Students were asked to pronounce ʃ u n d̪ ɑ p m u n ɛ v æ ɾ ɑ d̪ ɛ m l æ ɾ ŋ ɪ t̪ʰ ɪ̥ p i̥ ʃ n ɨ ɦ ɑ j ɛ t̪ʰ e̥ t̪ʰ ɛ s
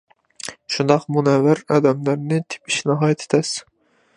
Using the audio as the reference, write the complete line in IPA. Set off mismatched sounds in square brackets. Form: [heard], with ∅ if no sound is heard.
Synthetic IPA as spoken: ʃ u n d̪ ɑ [q] m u n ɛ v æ ɾ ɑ d̪ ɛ m l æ ɾ [n] ɪ t̪ʰ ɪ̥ p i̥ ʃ n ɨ ɦ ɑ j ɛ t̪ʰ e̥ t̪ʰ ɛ s